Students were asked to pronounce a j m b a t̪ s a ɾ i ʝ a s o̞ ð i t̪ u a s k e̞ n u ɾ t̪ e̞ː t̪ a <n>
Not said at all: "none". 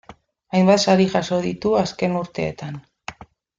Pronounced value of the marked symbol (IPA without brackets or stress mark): n